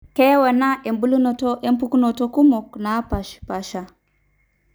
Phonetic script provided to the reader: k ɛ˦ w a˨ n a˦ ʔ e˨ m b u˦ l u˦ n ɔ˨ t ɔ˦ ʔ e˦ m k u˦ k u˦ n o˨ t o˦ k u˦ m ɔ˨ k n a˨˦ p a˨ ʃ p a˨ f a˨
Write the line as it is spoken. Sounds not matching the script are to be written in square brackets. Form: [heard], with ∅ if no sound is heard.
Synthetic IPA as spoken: k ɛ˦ w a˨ n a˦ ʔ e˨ m b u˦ l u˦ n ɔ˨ t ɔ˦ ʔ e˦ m [p] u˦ k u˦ n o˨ t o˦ k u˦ m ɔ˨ k n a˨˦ p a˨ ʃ p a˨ [ʃ] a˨